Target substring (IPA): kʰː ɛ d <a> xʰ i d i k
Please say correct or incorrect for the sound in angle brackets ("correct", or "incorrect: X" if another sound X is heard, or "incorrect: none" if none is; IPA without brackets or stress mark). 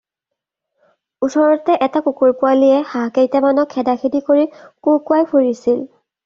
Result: correct